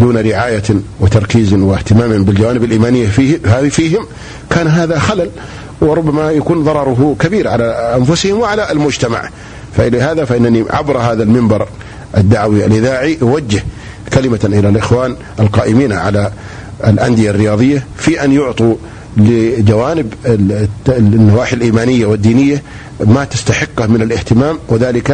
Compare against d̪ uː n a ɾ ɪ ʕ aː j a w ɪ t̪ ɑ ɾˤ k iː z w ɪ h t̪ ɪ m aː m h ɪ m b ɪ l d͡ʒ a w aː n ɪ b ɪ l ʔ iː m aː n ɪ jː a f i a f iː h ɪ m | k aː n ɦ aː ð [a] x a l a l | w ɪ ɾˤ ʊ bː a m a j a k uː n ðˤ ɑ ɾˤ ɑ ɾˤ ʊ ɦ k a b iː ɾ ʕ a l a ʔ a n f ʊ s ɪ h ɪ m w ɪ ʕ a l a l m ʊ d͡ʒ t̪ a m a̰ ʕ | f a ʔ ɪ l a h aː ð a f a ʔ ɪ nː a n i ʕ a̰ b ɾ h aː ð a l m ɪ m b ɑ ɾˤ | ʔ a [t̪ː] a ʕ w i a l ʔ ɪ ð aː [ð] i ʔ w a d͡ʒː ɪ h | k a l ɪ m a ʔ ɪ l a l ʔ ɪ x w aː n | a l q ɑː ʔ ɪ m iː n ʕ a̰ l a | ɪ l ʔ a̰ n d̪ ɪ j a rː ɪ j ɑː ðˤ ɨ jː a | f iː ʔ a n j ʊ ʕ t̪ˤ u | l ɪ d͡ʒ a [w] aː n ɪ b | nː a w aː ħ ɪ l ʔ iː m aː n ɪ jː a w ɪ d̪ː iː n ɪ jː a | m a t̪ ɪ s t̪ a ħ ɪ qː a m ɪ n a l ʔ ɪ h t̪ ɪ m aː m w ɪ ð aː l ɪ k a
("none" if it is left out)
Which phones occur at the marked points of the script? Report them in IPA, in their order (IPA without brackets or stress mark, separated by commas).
a, d̪ː, ʕ, w